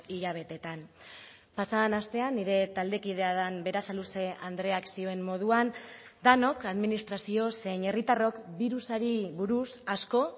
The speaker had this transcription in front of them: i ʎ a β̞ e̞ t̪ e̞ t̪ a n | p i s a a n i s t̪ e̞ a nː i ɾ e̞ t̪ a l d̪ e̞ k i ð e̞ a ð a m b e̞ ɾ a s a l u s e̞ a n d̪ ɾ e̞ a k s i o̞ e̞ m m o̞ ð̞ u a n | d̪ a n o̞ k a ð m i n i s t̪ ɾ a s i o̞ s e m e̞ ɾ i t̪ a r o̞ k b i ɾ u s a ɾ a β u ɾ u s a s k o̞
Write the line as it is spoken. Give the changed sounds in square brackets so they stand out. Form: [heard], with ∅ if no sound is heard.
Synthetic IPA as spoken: i ʎ a β̞ e̞ t̪ e̞ t̪ a n | p [a] s a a n [a] s t̪ e̞ a nː i ɾ e̞ t̪ a l d̪ e̞ k i ð e̞ a ð a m b e̞ ɾ a s a l u s e̞ a n d̪ ɾ e̞ a k s i o̞ e̞ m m o̞ ð̞ u a n | d̪ a n o̞ k a ð m i n i s t̪ ɾ a s i o̞ s e [ɲ] e̞ [r] i t̪ a r o̞ k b i ɾ u s a ɾ [i] β u ɾ u s a s k o̞